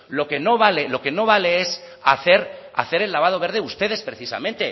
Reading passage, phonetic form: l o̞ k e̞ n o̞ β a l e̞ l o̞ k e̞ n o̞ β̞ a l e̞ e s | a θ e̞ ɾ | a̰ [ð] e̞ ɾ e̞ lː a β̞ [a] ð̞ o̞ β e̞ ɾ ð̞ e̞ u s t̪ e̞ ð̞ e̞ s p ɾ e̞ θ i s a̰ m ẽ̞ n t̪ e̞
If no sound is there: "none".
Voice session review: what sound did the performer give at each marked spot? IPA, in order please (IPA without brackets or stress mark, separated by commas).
θ, a